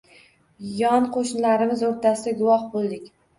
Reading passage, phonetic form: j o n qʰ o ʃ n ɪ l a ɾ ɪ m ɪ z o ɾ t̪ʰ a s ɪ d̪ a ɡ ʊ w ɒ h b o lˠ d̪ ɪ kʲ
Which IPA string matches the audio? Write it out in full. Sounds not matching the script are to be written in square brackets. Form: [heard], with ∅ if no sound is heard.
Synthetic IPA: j [ɒ] n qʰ o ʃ n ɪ l a ɾ ɪ m ɪ z o ɾ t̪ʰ a s ɪ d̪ a ɡ ʊ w ɒ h b o lˠ d̪ ɪ kʲ

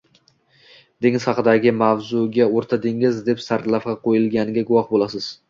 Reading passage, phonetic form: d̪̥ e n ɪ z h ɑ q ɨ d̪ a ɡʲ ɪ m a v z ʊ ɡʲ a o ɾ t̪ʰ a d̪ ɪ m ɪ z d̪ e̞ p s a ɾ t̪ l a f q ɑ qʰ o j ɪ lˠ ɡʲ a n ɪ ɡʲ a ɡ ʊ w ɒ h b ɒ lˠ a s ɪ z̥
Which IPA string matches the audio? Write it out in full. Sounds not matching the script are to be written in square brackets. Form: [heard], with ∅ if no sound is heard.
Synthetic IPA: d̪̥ e [ŋ] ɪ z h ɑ q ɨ d̪ a ɡʲ ɪ m a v z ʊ ɡʲ a o ɾ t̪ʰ a d̪ ɪ [ŋ] ɪ z d̪ e̞ p s a ɾ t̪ l a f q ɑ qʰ o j ɪ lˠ ɡʲ a n ɪ ɡʲ a ɡ ʊ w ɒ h b [o] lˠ a s ɪ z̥

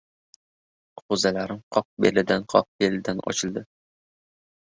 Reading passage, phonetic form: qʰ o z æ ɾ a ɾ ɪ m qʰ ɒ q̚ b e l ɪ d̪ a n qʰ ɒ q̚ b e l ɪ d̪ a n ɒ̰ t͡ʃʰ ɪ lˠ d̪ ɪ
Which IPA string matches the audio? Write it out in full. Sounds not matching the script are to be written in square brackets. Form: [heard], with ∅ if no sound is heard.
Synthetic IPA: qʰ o z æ [l] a ɾ ɪ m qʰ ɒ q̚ b e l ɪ d̪ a n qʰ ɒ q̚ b e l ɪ d̪ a n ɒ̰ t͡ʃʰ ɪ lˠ d̪ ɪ

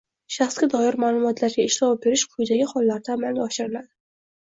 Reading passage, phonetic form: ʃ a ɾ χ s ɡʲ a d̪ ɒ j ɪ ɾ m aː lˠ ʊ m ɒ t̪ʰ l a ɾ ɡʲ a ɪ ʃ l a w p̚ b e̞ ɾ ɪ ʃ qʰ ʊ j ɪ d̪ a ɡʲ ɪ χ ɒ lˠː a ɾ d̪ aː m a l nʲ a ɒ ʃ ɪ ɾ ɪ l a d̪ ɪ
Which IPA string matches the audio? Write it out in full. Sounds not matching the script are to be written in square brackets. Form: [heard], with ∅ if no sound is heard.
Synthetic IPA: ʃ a [∅] χ s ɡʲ a d̪ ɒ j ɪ ɾ m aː lˠ ʊ m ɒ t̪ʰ l a ɾ ɡʲ a ɪ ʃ l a w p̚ b e̞ ɾ ɪ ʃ qʰ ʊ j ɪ d̪ a ɡʲ ɪ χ ɒ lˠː a ɾ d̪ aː m a l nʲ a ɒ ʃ ɪ ɾ ɪ l a d̪ ɪ

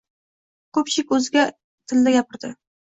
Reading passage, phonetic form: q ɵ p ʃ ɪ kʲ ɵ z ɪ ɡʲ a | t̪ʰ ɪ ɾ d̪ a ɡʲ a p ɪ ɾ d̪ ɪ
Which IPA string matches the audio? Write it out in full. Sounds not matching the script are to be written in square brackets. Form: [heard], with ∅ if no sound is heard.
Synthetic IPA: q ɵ p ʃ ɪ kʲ ɵ z ɪ ɡʲ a | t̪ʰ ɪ [l] d̪ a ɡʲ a p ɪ ɾ d̪ ɪ

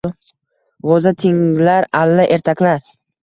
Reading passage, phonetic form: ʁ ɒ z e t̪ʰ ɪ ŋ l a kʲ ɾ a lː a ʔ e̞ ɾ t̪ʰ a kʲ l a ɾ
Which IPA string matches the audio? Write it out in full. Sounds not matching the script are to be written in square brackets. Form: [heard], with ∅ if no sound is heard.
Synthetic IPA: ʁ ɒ z [a] t̪ʰ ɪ ŋ l a [∅] ɾ a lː a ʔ e̞ ɾ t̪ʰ a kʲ l a ɾ

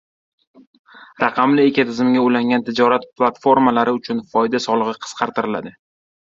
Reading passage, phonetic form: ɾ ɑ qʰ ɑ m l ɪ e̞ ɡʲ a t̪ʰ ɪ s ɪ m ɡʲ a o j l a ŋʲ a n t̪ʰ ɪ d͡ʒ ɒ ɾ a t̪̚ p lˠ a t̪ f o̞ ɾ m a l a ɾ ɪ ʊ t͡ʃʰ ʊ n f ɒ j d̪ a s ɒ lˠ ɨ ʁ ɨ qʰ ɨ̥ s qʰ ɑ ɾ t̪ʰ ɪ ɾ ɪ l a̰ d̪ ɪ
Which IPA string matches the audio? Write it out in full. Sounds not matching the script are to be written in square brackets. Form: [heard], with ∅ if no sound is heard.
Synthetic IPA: ɾ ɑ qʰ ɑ m l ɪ e̞ [kʲ] a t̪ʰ ɪ [z] ɪ m ɡʲ a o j l a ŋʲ a n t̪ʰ ɪ d͡ʒ ɒ ɾ a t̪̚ p lˠ a t̪ f o̞ ɾ m a l a ɾ ɪ ʊ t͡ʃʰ ʊ n f ɒ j d̪ a s ɒ lˠ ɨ ʁ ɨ qʰ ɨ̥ s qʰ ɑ ɾ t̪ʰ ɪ ɾ ɪ l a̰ d̪ ɪ

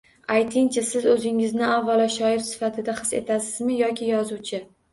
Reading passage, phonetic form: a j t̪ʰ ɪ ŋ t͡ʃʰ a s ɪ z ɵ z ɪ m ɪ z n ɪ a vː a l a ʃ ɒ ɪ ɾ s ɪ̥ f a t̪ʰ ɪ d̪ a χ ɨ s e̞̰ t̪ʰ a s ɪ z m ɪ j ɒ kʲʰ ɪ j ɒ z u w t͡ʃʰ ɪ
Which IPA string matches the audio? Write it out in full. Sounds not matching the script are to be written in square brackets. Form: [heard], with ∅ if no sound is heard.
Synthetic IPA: a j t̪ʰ ɪ ŋ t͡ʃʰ a s ɪ z ɵ z ɪ [ŋ] ɪ z n ɪ a vː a l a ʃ ɒ ɪ ɾ s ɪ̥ f a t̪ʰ ɪ d̪ a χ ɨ s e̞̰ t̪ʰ a s ɪ z m ɪ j ɒ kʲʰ ɪ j ɒ z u w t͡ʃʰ ɪ

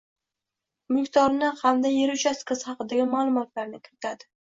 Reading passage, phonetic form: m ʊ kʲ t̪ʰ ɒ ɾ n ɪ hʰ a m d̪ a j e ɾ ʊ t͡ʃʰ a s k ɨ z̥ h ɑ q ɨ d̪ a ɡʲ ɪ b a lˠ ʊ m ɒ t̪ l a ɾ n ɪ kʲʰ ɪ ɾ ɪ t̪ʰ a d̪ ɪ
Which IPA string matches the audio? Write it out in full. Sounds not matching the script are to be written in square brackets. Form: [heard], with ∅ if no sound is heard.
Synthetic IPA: m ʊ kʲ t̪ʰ ɒ ɾ n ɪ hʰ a m d̪ a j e ɾ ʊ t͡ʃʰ a s k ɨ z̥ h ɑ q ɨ d̪ a ɡʲ ɪ [m] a lˠ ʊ m ɒ t̪ l a ɾ n ɪ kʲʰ ɪ ɾ ɪ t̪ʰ a d̪ ɪ

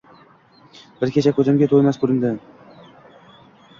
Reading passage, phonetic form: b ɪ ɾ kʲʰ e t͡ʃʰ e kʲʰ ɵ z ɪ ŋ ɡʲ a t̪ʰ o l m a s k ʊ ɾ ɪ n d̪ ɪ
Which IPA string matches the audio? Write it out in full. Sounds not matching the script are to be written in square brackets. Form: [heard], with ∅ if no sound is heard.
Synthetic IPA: b ɪ ɾ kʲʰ e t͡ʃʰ [a] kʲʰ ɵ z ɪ [m] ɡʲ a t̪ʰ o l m a s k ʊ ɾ ɪ n d̪ ɪ

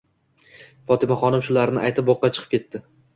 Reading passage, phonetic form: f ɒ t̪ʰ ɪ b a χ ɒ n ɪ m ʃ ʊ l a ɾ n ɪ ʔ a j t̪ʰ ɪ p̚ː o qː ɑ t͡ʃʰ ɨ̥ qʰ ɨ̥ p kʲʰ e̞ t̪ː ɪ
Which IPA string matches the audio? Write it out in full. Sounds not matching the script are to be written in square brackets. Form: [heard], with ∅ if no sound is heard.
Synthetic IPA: f ɒ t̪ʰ ɪ [m] a χ ɒ n ɪ m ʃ ʊ l a ɾ n ɪ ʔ a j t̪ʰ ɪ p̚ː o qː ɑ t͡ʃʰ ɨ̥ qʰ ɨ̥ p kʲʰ e̞ t̪ː ɪ

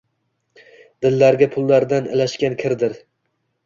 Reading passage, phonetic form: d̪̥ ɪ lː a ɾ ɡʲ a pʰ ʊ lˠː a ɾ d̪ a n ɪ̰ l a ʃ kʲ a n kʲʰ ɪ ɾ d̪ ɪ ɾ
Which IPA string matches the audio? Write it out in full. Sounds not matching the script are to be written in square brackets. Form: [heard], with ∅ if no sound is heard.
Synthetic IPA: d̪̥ ɪ lː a ɾ ɡʲ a pʰ ʊ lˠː a ɾ d̪ a n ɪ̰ l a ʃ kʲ a n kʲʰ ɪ ɾ d̪ ɪ ɾ

